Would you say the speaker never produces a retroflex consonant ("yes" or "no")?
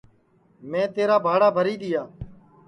no